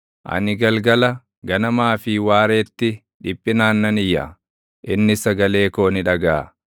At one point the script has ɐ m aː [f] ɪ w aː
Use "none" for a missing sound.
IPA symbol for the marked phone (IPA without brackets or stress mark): f